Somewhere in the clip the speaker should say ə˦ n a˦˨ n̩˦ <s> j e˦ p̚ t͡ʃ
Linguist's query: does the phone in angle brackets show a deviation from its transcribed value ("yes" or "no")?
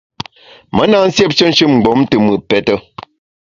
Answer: no